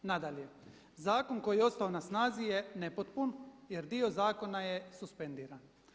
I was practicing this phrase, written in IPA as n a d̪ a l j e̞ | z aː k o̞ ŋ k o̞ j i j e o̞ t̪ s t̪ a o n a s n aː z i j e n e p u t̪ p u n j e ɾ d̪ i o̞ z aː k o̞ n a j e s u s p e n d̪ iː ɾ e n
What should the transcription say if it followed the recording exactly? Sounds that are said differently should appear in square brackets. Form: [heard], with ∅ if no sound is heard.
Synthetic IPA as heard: n a d̪ a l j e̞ | z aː k o̞ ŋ k o̞ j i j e o̞ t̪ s t̪ a o n a s n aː z i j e n e p [o] t̪ p u n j e ɾ d̪ i o̞ z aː k o̞ n a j e s u s p e n d̪ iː ɾ [a] n